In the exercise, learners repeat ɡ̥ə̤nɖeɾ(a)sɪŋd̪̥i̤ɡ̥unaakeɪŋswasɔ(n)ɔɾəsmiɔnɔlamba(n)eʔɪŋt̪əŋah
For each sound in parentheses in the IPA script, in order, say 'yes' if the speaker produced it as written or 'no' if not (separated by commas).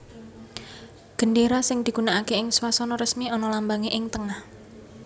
yes, yes, no